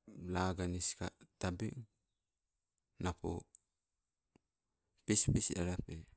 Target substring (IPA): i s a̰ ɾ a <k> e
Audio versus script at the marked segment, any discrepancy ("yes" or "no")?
yes